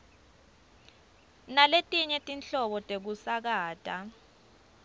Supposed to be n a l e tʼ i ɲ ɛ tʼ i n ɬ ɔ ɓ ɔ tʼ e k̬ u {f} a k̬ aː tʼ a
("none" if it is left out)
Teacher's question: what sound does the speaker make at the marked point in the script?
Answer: s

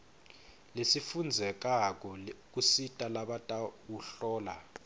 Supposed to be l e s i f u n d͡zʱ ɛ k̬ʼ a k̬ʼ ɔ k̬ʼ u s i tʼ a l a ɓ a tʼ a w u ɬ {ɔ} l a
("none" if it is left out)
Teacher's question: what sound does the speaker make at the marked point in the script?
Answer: ɔː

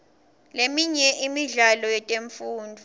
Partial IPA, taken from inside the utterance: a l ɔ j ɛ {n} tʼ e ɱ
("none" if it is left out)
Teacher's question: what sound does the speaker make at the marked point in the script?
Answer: none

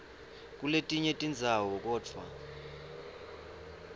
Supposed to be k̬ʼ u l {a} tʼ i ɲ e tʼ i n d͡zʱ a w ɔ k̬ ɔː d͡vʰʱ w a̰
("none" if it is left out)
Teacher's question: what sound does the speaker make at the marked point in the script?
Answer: e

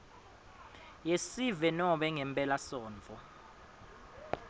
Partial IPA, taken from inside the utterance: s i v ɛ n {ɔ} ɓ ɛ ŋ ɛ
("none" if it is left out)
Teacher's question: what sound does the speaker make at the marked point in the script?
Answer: ɔ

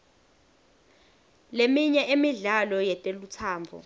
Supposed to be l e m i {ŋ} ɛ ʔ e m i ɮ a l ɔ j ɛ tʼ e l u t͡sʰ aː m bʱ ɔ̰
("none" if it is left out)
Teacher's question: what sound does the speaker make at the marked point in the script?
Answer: ɲ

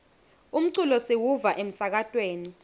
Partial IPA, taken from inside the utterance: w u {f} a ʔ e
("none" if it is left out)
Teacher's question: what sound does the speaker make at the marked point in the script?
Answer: v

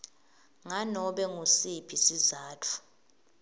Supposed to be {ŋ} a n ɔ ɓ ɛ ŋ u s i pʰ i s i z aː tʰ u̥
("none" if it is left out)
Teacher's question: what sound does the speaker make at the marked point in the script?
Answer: ŋ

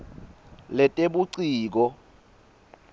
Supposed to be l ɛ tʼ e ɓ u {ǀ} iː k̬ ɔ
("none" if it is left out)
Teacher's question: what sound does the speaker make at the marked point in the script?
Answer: ǀ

